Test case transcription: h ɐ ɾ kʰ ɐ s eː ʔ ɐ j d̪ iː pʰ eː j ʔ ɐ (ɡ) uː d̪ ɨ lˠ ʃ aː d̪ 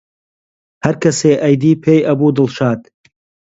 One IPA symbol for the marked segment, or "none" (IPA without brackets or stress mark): b